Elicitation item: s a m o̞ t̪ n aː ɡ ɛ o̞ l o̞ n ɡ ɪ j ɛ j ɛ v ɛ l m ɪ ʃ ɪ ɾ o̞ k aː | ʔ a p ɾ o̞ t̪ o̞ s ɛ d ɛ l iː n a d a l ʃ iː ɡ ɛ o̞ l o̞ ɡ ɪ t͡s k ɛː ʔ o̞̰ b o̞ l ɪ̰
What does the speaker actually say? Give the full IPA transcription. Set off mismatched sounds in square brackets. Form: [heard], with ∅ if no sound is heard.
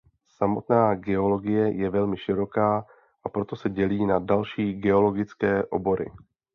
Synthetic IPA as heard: s a m o̞ t̪ n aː ɡ ɛ o̞ l o̞ [∅] ɡ ɪ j ɛ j ɛ v ɛ l m ɪ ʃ ɪ ɾ o̞ k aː | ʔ a p ɾ o̞ t̪ o̞ s ɛ [ɟ] ɛ l iː n a d a l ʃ iː ɡ ɛ o̞ l o̞ ɡ ɪ t͡s k ɛː ʔ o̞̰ b o̞ [ɾ] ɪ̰